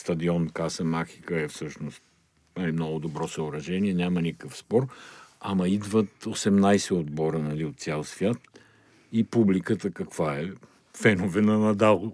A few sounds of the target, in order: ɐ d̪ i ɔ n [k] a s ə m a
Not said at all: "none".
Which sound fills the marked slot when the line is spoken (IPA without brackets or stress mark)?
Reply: k